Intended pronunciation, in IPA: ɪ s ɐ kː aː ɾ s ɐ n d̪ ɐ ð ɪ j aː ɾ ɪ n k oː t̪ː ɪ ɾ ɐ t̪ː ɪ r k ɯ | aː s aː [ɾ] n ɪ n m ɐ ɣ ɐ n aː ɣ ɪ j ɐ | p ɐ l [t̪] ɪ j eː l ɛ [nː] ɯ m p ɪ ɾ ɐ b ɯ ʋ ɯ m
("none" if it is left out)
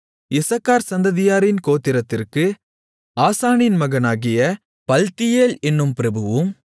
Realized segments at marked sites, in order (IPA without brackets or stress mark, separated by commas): none, t̪, nː